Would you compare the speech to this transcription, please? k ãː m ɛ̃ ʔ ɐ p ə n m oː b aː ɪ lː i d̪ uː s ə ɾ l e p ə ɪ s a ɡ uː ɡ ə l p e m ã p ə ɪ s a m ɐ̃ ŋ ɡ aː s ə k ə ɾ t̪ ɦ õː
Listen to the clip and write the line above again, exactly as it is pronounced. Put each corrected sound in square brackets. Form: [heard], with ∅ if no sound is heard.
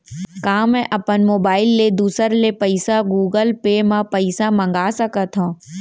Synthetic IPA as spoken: k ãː m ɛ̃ ʔ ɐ p ə n m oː b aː ɪ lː [e] d̪ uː s ə ɾ l e p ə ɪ s a ɡ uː ɡ ə l p e m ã p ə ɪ s a m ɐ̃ ŋ ɡ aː s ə k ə [∅] t̪ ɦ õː